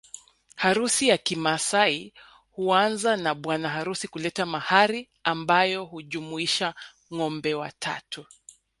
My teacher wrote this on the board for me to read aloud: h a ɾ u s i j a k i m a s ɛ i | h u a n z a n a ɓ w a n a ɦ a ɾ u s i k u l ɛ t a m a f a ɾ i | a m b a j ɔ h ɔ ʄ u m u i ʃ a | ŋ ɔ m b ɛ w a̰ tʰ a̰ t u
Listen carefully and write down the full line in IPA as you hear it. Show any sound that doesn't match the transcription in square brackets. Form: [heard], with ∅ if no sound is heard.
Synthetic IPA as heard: h a ɾ u s i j a k i m a s [a] i | h u a n z a n a ɓ w a n a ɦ a ɾ u s i k u l ɛ t a m a [h] a ɾ i | a m b a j ɔ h [u] ʄ u m u i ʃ a | ŋ ɔ m b ɛ w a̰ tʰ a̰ t u